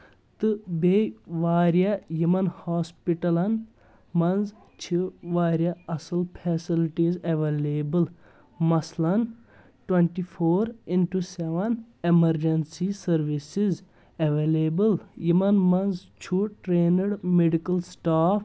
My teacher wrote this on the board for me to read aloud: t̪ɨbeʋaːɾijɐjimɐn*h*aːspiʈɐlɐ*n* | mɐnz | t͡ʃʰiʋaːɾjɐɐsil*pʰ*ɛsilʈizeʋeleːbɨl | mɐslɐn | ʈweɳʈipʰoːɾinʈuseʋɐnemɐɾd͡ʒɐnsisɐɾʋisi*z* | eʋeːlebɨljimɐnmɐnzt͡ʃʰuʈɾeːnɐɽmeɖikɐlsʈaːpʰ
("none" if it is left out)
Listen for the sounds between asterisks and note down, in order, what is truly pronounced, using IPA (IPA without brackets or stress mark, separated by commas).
h, n, pʰ, z